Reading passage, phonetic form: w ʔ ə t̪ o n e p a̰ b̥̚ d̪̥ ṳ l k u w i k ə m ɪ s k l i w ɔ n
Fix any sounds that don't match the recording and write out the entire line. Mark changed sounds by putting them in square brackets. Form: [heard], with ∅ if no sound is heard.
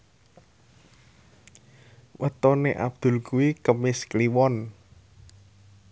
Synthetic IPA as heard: w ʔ ə t̪ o n e [ʔ] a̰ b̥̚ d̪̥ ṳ l k u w i k ə m ɪ s k l i w ɔ n